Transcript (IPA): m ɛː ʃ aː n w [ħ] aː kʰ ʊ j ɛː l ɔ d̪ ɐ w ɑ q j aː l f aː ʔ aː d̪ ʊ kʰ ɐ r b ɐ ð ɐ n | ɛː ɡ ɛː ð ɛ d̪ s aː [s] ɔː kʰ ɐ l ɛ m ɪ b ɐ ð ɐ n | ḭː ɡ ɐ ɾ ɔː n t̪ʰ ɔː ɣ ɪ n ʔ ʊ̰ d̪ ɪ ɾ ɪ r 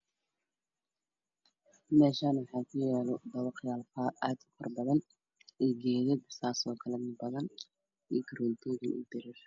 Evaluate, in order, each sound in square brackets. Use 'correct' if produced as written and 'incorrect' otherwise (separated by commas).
correct, correct